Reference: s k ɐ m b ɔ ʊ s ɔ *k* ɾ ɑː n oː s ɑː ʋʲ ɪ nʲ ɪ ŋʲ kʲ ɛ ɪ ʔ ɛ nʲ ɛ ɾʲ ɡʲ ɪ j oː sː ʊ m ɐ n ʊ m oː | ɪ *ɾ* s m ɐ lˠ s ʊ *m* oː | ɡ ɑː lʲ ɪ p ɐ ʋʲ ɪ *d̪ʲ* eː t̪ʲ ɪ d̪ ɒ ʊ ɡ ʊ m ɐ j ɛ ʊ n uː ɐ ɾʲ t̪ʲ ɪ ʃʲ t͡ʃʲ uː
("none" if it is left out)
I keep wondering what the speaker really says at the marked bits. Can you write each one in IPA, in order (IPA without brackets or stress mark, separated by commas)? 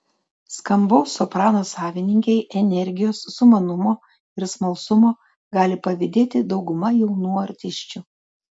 p, ɾ, m, d̪ʲ